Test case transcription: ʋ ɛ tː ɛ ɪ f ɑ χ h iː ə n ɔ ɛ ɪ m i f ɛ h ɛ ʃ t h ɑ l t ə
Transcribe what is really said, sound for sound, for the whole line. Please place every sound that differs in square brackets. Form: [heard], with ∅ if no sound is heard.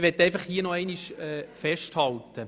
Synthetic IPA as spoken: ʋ ɛ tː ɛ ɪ f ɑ χ h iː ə n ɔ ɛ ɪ [n] i [ʃ] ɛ [f] ɛ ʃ t h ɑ l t ə